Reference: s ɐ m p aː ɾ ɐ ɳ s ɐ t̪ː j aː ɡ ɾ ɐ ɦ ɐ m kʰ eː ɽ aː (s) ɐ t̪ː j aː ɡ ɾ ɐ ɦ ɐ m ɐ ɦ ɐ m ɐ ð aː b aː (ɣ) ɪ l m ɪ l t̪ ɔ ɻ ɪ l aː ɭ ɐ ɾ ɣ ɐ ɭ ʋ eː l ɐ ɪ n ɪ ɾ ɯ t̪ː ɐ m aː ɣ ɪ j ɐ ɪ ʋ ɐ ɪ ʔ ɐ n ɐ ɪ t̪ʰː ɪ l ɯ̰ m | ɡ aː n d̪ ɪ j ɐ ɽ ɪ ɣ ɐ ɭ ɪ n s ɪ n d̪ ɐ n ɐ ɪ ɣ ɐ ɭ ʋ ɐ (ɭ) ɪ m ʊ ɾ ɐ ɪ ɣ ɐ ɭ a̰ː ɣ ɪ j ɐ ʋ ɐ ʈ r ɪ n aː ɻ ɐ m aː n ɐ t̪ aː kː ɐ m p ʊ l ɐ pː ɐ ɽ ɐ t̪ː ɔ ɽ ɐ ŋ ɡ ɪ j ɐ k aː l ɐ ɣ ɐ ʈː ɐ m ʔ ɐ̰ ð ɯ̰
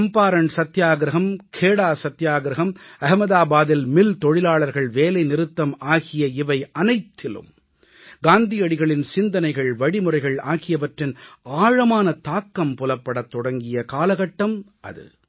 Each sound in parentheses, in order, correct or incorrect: correct, incorrect: ð, incorrect: ɽ

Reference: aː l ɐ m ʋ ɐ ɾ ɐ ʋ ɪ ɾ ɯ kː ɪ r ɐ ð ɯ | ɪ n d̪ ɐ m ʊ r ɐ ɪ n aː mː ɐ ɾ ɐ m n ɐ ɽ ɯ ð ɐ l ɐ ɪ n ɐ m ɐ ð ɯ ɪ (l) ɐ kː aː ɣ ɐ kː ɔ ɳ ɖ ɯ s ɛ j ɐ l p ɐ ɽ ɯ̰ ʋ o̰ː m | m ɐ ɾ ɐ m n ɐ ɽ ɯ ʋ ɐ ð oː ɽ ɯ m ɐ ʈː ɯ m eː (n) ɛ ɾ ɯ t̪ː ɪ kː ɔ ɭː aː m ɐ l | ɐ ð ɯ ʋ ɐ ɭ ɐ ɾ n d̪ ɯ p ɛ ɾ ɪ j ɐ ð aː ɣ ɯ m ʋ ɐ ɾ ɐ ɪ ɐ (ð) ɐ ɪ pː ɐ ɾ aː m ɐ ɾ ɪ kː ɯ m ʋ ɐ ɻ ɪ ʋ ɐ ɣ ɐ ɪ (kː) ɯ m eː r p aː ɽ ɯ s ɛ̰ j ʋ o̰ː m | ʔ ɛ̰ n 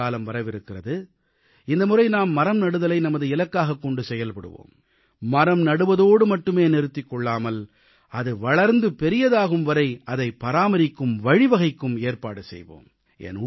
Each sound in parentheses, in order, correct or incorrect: correct, correct, correct, correct

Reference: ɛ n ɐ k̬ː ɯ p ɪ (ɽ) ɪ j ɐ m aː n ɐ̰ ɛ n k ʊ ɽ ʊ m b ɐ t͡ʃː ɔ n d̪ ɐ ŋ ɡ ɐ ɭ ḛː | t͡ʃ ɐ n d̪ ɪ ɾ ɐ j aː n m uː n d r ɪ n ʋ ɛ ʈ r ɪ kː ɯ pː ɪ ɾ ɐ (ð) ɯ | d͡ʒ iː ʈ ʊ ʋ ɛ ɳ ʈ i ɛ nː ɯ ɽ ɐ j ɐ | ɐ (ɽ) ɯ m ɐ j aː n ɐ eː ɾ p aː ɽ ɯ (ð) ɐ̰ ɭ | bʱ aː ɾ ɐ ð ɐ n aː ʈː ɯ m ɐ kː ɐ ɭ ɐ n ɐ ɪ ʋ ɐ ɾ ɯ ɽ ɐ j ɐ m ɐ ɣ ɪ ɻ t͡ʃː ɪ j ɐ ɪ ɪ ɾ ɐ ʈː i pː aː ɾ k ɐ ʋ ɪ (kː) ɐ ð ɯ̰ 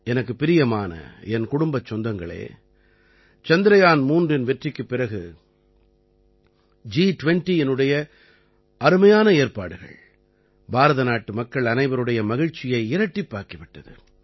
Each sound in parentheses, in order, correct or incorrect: incorrect: ɾ, incorrect: ɣ, incorrect: ɾ, incorrect: ɣ, incorrect: ʈː

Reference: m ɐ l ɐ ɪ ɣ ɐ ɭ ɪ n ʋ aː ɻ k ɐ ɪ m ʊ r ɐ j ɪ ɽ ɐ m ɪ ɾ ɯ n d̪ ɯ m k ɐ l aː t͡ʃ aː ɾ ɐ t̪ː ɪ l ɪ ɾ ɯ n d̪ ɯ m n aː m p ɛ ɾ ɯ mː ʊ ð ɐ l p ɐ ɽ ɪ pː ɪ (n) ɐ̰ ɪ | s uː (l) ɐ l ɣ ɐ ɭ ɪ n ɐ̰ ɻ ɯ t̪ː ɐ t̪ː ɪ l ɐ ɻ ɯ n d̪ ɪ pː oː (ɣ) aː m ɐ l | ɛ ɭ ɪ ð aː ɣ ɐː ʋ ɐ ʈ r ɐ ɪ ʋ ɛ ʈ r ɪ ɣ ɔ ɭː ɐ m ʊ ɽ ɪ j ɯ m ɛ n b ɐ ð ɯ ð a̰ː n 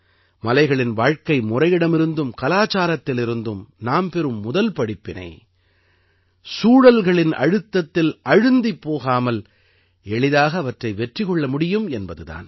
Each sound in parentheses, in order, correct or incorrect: correct, incorrect: ɽ, correct

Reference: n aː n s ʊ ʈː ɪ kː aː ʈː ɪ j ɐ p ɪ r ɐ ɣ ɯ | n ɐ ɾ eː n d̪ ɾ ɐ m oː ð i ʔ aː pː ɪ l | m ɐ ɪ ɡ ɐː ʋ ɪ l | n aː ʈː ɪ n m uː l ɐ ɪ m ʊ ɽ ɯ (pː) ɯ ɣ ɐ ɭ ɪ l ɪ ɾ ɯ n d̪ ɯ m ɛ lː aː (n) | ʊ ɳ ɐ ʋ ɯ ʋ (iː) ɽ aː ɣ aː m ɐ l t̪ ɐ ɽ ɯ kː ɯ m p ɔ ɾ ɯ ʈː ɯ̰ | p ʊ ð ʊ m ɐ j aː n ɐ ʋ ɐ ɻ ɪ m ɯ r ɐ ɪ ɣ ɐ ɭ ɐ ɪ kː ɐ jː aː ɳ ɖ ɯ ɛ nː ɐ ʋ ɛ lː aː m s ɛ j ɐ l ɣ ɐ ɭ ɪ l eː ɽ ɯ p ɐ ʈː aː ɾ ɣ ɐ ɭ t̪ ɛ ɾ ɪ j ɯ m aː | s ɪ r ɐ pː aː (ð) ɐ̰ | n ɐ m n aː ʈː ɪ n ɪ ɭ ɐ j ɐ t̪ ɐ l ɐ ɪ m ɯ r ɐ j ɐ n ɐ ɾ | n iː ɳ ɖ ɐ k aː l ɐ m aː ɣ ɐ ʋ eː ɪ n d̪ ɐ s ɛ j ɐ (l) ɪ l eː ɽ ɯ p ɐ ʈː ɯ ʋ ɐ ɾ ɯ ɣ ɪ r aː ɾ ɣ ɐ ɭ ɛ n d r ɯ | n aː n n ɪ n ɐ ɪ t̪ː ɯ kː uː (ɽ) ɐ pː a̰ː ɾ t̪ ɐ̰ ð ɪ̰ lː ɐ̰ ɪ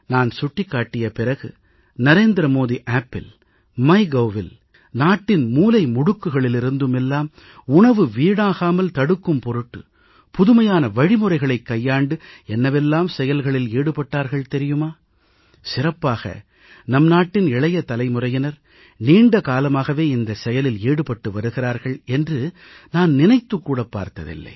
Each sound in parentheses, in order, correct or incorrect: incorrect: kː, incorrect: m, correct, incorrect: ɣ, correct, correct

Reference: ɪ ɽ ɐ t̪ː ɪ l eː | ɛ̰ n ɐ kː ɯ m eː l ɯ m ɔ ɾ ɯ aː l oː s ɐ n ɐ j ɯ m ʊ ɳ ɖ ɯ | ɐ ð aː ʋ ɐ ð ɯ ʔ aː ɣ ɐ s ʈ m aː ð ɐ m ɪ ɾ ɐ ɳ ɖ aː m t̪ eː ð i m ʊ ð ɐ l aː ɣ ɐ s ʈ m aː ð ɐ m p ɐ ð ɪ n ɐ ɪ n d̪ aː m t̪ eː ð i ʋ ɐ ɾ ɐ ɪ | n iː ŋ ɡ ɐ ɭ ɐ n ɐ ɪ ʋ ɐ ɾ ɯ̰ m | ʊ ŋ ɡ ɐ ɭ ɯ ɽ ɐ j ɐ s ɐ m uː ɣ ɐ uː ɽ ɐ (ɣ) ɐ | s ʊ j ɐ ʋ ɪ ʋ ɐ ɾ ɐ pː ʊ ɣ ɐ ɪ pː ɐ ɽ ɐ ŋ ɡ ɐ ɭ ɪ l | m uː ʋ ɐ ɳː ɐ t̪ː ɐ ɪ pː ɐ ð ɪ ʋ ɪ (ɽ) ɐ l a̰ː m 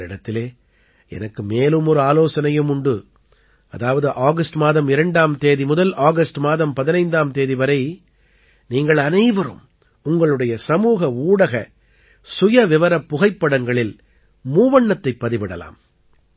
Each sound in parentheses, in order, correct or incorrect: correct, correct

